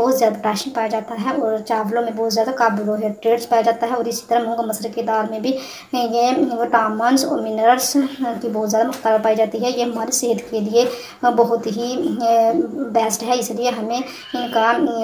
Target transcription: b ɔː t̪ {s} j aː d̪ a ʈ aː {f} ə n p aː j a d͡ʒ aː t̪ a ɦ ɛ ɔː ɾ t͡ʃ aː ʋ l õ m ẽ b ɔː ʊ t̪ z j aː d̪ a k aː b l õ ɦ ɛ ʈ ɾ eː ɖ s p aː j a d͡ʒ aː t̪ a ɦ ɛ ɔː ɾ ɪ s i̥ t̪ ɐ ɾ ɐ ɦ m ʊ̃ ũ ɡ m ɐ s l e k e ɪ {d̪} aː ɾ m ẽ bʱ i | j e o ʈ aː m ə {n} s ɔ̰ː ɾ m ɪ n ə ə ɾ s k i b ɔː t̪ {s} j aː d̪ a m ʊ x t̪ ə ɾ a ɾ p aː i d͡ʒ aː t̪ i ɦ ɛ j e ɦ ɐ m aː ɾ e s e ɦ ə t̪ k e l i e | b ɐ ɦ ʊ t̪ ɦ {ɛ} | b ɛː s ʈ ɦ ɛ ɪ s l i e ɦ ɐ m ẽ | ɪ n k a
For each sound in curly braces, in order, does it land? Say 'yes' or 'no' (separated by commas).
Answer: no, no, yes, yes, no, no